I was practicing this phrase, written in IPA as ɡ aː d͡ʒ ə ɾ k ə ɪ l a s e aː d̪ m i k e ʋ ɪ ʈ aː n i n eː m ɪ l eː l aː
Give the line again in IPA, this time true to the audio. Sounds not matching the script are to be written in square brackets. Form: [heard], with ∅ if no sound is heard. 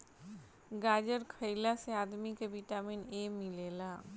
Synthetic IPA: ɡ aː d͡ʒ ə ɾ [kʰ] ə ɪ l a s e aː d̪ m i k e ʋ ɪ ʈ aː [m] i n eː m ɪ l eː l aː